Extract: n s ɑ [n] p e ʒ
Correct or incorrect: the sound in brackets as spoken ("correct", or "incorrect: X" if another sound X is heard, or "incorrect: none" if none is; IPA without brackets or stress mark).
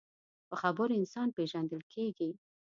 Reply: correct